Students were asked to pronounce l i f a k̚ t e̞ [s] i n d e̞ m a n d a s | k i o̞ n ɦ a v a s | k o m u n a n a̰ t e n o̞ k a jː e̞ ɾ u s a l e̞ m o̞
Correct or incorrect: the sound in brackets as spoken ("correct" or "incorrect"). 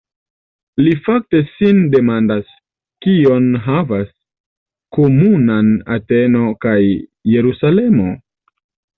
correct